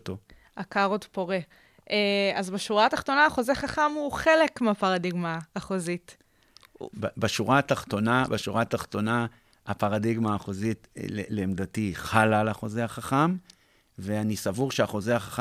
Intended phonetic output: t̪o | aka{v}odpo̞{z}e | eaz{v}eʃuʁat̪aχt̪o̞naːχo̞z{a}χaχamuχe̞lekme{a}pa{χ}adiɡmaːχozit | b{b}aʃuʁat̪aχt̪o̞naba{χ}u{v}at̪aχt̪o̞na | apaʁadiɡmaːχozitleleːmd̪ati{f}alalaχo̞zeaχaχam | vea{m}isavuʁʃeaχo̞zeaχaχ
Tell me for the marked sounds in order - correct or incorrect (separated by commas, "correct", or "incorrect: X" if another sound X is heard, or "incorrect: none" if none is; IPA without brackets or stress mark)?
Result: incorrect: ʁ, incorrect: ʁ, incorrect: b, incorrect: e, correct, incorrect: ʁ, correct, incorrect: ʃ, incorrect: ʁ, incorrect: χ, incorrect: n